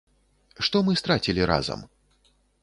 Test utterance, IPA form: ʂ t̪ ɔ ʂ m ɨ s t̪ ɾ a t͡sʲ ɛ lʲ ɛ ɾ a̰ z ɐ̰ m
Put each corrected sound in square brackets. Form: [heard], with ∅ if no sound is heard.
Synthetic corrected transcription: ʂ t̪ ɔ [∅] m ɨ s t̪ ɾ a t͡sʲ [i] lʲ [i] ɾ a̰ z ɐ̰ m

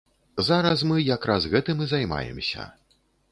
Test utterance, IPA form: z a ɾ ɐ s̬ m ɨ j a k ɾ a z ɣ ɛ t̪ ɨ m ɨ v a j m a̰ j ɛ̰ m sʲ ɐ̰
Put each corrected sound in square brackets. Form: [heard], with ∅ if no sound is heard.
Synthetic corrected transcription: z a ɾ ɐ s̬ m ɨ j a k ɾ a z ɣ ɛ t̪ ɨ m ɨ [z] a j m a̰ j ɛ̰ m sʲ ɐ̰

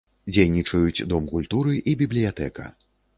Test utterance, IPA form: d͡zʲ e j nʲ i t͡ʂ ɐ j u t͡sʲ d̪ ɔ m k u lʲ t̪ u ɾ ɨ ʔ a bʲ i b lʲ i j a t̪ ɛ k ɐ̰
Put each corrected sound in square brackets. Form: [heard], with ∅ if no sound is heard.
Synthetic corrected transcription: d͡zʲ e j nʲ i t͡ʂ ɐ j u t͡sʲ d̪ ɔ m k u lʲ t̪ u ɾ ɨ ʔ [i] bʲ i b lʲ i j a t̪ ɛ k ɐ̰

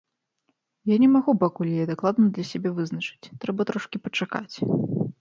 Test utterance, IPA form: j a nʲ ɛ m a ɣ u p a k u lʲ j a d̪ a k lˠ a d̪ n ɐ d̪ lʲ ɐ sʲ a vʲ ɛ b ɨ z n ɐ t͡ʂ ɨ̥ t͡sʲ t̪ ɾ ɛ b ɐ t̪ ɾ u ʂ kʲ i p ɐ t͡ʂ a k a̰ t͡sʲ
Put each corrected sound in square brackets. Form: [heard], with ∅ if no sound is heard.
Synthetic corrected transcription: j a nʲ ɛ m a ɣ u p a k u lʲ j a d̪ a k lˠ a d̪ n ɐ d̪ lʲ ɐ sʲ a [bʲ] ɛ [v] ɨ z n ɐ t͡ʂ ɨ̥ t͡sʲ t̪ ɾ ɛ b ɐ t̪ ɾ [ɔ] ʂ kʲ i p ɐ t͡ʂ a k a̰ t͡sʲ

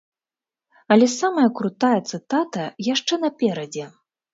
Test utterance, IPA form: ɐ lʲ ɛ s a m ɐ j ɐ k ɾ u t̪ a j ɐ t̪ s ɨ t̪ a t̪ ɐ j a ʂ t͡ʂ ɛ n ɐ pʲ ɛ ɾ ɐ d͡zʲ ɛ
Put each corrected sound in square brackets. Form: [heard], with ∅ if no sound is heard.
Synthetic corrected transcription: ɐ lʲ ɛ s a m ɐ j ɐ k ɾ u t̪ a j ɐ t̪ s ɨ t̪ a t̪ ɐ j a ʂ t͡ʂ ɛ n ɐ pʲ ɛ ɾ ɐ d͡zʲ ɛ

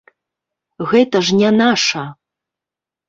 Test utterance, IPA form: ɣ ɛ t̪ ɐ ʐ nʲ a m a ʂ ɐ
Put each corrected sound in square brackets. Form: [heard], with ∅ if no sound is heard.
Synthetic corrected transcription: ɣ ɛ t̪ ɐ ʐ nʲ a [n] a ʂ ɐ

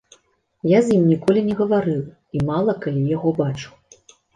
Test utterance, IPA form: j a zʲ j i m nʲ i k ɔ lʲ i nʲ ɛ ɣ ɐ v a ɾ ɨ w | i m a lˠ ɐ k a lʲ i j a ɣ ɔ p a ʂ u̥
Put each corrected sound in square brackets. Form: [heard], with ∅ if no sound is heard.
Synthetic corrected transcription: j a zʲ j i m nʲ i k ɔ lʲ i nʲ ɛ ɣ ɐ v a ɾ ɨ w | i m a lˠ ɐ k a lʲ i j a ɣ ɔ [b] a [t͡ʂ] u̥

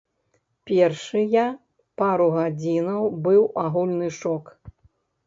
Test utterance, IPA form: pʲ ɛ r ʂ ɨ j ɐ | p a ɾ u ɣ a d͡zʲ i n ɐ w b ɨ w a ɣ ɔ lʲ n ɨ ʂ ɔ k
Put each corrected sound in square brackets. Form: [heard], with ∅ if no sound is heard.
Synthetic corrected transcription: pʲ ɛ r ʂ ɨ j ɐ | p a ɾ u ɣ a d͡zʲ i n ɐ w b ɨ w a ɣ [u] lʲ n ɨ ʂ ɔ k

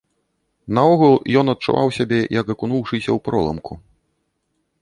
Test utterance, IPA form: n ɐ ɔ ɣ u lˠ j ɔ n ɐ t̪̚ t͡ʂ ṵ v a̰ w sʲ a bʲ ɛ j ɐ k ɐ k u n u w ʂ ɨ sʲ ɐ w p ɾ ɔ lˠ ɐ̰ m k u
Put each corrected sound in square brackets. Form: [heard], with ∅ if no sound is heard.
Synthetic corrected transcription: n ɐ ɔ ɣ u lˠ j ɔ n ɐ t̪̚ t͡ʂ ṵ v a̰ w sʲ a bʲ ɛ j ɐ k ɐ k u n u w ʂ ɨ sʲ ɐ w p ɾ ɔ lˠ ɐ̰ m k u

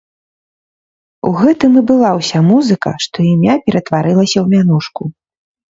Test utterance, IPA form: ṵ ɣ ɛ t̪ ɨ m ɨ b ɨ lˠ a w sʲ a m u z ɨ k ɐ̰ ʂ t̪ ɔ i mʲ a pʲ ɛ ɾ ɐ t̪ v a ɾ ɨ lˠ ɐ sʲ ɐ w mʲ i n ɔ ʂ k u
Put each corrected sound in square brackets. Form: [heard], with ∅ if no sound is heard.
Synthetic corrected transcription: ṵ ɣ ɛ t̪ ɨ m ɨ b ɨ lˠ a w sʲ a m u z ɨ k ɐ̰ ʂ t̪ ɔ i mʲ a pʲ ɛ ɾ ɐ t̪ v a ɾ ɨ lˠ ɐ sʲ ɐ w mʲ [a] n [u] ʂ k u

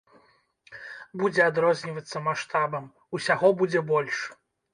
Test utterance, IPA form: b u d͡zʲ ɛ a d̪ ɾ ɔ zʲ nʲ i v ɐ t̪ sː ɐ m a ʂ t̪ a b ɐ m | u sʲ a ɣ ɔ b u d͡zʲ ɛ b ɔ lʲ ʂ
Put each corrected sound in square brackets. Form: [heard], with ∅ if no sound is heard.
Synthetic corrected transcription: b u d͡zʲ ɛ a d̪ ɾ ɔ zʲ nʲ i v ɐ t̪ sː ɐ m a ʂ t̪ a b ɐ m | u sʲ a ɣ ɔ b u d͡zʲ ɛ b ɔ lʲ ʂ

